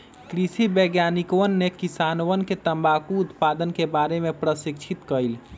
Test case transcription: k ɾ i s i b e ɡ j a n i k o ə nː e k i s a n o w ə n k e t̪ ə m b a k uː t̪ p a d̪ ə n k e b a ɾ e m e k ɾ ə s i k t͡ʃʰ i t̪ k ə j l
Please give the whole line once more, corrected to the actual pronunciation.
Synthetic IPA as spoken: k ɾ i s i b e ɡ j a n i k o ə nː e k i s a n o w ə n k e t̪ ə m b a k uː t̪ p a d̪ ə n k e b a ɾ e m e p ɾ ə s i k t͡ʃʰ i t̪ k ə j l